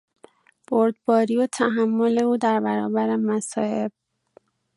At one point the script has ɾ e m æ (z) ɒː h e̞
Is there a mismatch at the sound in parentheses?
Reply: yes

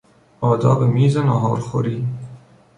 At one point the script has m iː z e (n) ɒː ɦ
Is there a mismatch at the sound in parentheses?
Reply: no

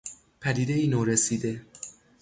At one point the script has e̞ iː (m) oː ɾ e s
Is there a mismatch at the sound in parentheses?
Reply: yes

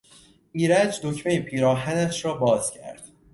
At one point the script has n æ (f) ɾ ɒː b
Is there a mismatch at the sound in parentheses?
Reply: yes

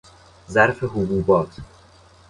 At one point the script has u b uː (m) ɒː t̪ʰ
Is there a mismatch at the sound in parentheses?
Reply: yes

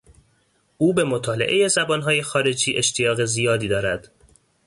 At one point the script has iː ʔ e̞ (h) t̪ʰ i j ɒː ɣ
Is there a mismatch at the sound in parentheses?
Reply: yes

